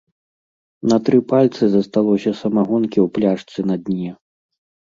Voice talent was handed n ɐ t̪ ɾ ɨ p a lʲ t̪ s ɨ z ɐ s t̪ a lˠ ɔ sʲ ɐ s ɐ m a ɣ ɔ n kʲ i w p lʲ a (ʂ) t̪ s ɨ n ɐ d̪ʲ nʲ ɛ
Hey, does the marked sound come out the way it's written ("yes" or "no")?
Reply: yes